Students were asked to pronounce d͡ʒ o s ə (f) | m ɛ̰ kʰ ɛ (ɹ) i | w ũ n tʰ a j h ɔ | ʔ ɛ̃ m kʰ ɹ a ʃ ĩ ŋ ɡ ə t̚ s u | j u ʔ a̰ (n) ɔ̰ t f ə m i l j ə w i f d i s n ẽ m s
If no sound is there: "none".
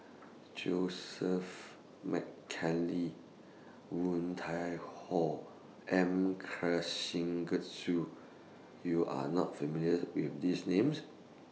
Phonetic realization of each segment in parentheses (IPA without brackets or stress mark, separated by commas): f, l, n